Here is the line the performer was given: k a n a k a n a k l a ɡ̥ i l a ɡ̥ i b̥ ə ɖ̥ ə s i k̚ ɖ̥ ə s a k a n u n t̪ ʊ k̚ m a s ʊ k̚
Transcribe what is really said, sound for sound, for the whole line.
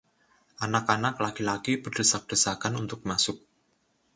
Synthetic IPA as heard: ʔ a n a k a n a k l a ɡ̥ i l a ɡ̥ i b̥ ə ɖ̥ ə s a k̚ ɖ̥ ə s a k a n u n t̪ ʊ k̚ m a s ʊ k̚

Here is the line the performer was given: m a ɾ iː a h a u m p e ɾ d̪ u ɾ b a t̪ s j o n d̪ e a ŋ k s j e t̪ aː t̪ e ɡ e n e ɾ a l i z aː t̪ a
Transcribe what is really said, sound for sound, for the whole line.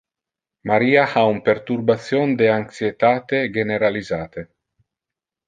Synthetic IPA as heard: m a ɾ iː a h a u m p e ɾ t̪ u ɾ b a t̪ s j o n d̪ e a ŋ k s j e t̪ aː t̪ e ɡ e n e ɾ a l i z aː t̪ e

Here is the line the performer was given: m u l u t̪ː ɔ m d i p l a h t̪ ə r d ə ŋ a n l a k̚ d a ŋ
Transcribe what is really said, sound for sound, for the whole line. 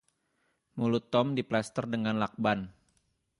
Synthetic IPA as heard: m u l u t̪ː ɔ m d i p l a s t̪ ə r d ə ŋ a n l a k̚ b a n

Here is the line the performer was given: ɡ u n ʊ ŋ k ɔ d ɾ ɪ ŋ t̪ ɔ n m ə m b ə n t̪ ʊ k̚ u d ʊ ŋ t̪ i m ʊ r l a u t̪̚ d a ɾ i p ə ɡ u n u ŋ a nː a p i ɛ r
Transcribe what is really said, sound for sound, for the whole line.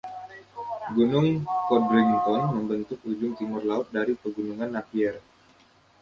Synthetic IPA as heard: ɡ u n ʊ ŋ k ɔ d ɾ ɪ ŋ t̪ ɔ n m ə m b ə n t̪ ʊ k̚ u d͡ʒ ʊ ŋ t̪ i m ʊ r l a ʊ t̪̚ d a ɾ i p ə ɡ u n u ŋ a nː a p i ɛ r

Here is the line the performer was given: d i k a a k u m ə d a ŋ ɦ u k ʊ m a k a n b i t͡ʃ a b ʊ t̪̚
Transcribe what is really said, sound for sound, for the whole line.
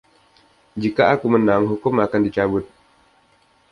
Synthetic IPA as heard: d͡ʒ i k a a k u m ə n a ŋ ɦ u k ʊ m a k a n d i t͡ʃ a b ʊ t̪̚

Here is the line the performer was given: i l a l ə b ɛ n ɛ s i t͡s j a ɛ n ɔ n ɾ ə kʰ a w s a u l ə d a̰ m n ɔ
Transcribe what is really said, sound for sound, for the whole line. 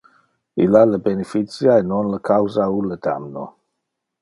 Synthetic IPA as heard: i l a l ə b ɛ n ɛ f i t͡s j a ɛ n ɔ n l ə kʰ a w z a u l ə d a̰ m n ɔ

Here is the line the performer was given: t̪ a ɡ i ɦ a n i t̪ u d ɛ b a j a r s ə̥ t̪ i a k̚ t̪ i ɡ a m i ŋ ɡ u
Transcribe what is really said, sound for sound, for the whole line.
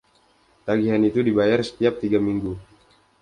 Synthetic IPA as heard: t̪ a ɡ i ɦ a n i t̪ u d i b a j a r s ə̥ t̪ i a p̚ t̪ i ɡ a m i ŋ ɡ u

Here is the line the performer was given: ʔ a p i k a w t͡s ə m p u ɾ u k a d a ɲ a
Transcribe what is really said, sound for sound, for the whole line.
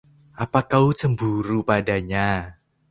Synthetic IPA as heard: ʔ a p a k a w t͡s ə m b u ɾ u p a d a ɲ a

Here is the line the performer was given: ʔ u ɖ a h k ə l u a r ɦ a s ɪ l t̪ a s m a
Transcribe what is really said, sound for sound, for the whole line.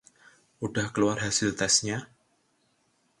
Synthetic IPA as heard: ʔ u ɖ a h k ə l u a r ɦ a s ɪ l t̪ ɛ s ɲ a

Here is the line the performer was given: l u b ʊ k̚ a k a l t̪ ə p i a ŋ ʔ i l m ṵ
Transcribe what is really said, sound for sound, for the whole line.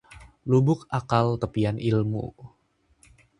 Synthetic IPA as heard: l u b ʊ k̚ a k a l t̪ ə p i a n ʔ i l m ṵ

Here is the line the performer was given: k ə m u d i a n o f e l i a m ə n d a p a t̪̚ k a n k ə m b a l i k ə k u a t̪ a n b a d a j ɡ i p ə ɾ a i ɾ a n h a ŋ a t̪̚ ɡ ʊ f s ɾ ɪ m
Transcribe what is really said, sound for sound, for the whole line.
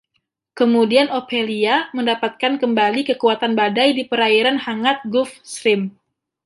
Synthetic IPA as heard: k ə m u d i a n o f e l i a m ə n d a p a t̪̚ k a n k ə m b a l i k ə k u a t̪ a n b a d a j d i p ə ɾ a i ɾ a n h a ŋ a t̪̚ ɡ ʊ f s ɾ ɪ m

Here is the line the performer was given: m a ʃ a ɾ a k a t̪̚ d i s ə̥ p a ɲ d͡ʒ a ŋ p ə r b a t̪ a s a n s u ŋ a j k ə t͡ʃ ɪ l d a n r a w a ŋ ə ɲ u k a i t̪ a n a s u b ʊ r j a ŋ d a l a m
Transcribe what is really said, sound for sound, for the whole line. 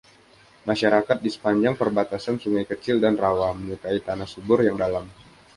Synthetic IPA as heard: m a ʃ a ɾ a k a t̪̚ d i s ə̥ p a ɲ d͡ʒ a ŋ p ə r b a t̪ a s a n s u ŋ a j k ə t͡ʃ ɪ l d a n r a w a m ə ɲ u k a i t̪ a n a s u b ʊ r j a ŋ d a l a m

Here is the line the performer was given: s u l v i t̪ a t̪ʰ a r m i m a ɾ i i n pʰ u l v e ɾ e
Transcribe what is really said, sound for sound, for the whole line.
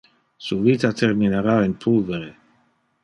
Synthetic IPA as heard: s u v i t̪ a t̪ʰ e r m i n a ɾ a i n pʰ u l v e ɾ e

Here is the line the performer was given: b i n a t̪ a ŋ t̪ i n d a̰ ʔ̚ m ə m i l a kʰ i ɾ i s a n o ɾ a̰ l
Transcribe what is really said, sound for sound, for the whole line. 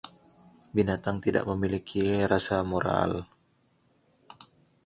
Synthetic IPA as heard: b i n a t̪ a ŋ t̪ i d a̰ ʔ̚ m ə m i l i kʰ i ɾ a s a m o ɾ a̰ l

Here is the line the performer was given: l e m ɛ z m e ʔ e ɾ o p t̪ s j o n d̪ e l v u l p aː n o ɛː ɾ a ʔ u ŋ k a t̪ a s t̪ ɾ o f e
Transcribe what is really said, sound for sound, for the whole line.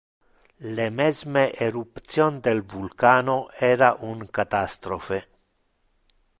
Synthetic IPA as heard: l e m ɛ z m e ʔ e ɾ u p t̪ s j o n d̪ e l v u l k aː n o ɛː ɾ a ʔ u ŋ k a t̪ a s t̪ ɾ o f e

